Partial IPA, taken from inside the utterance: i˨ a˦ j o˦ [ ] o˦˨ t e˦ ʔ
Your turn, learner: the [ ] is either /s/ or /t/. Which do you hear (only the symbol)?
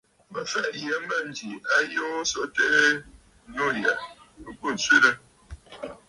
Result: s